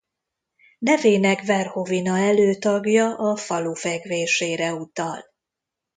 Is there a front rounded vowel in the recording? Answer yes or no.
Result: yes